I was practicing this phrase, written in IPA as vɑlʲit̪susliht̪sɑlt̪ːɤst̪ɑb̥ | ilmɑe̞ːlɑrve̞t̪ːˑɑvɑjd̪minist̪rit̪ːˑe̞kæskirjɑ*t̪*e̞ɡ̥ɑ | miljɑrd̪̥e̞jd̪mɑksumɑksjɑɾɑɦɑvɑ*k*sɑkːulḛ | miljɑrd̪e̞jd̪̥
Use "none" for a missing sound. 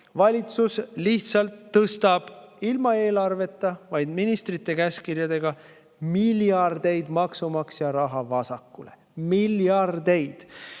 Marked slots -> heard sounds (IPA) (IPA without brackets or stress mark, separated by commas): d̪, none